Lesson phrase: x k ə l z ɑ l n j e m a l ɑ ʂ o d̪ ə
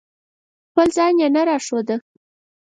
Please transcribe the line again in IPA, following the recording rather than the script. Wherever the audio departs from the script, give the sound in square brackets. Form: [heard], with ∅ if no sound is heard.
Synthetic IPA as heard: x [p] ə l z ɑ [∅] n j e [n] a [ɾ] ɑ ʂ o d̪ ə